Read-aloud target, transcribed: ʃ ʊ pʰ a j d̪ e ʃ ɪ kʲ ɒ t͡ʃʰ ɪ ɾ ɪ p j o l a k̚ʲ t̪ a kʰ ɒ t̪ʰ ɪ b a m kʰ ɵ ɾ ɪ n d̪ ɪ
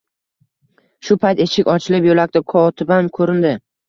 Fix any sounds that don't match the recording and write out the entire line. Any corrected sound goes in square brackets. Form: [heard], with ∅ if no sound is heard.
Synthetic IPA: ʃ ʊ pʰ a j [t̪] e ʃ ɪ kʲ ɒ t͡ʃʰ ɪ [l] ɪ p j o l a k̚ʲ t̪ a kʰ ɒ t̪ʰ ɪ b a m kʰ ɵ ɾ ɪ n d̪ ɪ